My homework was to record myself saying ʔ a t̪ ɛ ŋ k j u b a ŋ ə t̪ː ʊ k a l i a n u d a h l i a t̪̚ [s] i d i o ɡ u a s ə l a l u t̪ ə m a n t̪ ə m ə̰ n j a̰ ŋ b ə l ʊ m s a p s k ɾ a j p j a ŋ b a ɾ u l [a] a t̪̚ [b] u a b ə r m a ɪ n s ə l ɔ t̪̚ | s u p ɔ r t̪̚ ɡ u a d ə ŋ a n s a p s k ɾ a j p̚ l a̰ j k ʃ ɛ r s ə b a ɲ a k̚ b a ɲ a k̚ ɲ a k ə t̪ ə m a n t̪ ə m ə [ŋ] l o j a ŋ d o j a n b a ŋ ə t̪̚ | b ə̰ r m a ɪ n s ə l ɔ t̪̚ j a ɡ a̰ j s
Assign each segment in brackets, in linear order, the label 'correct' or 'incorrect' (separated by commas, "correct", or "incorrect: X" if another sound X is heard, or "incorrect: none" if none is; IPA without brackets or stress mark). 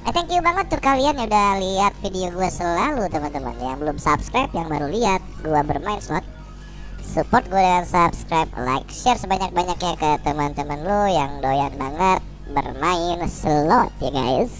incorrect: f, incorrect: i, incorrect: ɡ, incorrect: n